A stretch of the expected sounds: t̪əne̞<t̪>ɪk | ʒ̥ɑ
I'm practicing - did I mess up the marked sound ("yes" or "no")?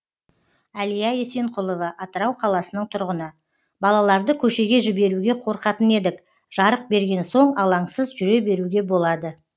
yes